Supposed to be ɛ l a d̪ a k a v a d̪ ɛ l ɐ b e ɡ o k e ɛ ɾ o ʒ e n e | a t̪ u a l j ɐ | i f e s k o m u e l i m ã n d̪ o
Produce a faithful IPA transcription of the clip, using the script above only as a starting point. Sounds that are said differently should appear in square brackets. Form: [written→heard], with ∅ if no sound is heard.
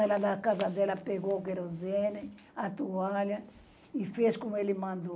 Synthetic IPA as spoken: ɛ l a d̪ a k a [v→z] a d̪ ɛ l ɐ [b→p] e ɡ o k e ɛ ɾ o [ʒ→z] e n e | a t̪ u a l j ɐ | i f e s k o m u e l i m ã n d̪ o